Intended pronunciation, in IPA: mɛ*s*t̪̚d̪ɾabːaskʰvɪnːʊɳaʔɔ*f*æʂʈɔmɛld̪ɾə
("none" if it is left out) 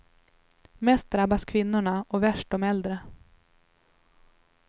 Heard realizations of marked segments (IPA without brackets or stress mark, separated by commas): s, v